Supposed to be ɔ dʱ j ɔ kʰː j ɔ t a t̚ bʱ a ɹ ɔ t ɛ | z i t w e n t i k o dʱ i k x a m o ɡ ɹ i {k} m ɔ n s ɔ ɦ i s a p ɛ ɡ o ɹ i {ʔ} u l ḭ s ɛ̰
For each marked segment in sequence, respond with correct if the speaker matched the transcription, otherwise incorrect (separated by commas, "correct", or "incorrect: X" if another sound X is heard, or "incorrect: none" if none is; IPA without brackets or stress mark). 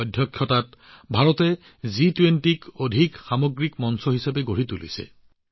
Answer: correct, incorrect: t